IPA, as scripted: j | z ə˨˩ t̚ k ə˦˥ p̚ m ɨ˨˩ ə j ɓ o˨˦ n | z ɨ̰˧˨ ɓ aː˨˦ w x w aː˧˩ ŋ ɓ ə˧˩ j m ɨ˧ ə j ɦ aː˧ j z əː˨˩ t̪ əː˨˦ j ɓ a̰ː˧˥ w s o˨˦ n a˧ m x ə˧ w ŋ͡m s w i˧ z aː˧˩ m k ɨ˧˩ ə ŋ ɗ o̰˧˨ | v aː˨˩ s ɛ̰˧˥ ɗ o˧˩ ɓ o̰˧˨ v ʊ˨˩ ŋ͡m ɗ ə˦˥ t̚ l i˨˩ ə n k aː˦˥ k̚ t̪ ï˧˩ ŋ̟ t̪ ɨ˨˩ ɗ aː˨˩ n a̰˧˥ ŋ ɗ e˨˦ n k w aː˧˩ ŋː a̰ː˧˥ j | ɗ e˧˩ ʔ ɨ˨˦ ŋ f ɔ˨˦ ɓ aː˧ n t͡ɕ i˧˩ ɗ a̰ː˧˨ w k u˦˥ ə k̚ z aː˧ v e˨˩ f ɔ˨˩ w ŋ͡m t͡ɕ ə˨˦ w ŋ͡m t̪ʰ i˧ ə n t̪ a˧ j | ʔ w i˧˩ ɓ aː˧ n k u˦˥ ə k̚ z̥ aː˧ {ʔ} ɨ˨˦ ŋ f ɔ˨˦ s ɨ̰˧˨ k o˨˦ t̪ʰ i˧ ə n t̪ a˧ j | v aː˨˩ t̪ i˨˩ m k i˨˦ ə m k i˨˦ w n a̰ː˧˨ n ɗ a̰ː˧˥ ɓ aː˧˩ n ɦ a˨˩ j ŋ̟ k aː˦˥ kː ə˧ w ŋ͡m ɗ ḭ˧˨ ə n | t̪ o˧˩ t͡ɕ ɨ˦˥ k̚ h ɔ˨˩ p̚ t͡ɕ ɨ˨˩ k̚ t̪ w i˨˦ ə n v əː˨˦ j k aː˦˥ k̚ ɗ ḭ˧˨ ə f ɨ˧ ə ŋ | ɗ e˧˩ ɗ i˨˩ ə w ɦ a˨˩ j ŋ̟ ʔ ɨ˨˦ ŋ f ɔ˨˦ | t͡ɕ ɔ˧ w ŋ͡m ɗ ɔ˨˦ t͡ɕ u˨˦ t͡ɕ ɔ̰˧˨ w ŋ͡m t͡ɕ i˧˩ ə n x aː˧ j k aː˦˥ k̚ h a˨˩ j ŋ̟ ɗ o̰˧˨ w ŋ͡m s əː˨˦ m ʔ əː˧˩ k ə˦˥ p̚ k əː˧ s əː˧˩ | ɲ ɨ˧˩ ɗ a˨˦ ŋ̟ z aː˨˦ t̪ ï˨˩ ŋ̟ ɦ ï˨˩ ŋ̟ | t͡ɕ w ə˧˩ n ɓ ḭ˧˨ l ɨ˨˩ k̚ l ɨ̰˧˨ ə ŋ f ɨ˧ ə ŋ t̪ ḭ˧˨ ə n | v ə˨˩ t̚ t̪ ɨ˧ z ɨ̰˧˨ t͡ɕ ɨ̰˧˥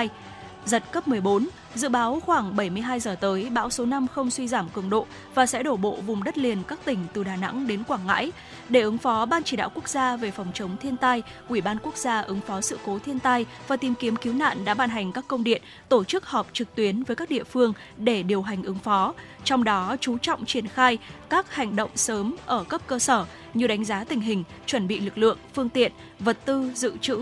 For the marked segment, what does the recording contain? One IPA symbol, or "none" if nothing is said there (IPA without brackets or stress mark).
ʔ